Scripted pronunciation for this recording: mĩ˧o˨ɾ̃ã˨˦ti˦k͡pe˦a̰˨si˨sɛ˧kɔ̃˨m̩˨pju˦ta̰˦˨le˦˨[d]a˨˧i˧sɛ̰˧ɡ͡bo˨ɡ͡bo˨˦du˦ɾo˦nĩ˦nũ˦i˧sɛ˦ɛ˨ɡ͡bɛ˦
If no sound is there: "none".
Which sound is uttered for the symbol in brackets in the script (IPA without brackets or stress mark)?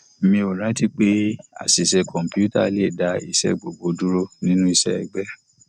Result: d